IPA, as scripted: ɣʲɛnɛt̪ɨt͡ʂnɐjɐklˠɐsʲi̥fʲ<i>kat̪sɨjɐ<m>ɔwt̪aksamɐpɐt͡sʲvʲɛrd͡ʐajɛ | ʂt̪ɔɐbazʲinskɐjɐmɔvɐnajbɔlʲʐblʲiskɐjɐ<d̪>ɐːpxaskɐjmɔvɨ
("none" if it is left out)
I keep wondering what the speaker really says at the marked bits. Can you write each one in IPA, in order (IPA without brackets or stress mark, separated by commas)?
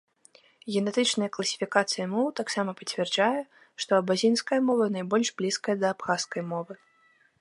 i, m, d̪